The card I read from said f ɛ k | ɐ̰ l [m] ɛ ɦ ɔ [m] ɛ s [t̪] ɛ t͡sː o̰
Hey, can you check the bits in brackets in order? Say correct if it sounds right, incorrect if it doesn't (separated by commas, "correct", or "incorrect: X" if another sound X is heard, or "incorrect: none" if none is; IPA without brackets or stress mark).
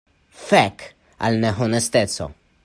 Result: incorrect: n, incorrect: n, correct